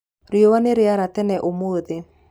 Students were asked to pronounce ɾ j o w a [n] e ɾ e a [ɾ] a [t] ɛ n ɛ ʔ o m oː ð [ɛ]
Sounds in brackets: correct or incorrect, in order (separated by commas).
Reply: correct, correct, correct, incorrect